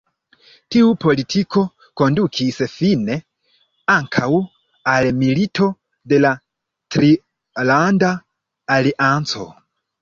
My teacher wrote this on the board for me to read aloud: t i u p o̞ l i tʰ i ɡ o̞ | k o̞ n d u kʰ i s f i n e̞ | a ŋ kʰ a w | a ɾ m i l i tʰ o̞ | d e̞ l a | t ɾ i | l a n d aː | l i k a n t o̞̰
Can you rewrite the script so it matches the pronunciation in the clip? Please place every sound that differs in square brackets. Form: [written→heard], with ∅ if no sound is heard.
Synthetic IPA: t i u p o̞ l i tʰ i [ɡ→k] o̞ | k o̞ n d u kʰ i s f i n e̞ | a ŋ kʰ a w | a [ɾ→l] m i l i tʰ o̞ | d e̞ l a | t ɾ i | l a n d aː | l i [k→ʔ] a n [t→t͡s] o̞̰